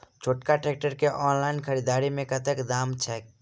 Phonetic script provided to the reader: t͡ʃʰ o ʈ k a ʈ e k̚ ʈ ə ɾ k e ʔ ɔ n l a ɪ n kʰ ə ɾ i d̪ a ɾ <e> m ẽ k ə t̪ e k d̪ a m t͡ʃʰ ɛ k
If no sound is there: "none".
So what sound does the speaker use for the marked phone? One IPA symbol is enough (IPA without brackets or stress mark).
i